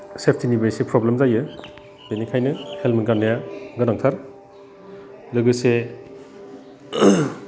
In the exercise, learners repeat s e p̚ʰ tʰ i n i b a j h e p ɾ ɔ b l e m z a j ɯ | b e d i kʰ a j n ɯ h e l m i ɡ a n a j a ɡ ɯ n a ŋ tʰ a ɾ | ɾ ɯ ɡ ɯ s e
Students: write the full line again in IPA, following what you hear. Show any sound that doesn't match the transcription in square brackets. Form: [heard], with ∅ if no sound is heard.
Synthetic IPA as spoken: s e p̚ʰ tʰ i n i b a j [s] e p ɾ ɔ b l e m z a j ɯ | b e [n] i kʰ a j n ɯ h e l m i ɡ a n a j a ɡ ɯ n a ŋ tʰ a ɾ | [l] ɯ ɡ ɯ s e